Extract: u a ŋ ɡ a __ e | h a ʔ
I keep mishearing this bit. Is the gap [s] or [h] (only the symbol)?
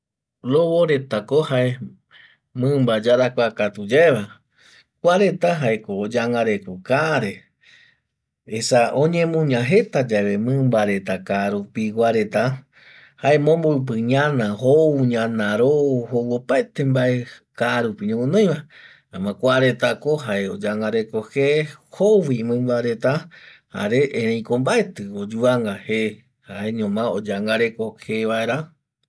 h